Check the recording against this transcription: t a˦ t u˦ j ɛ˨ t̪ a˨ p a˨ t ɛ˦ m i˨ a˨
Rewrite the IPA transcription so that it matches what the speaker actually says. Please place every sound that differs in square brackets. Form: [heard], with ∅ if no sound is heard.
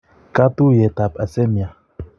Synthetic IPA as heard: [k] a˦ t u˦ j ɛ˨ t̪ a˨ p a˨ [s] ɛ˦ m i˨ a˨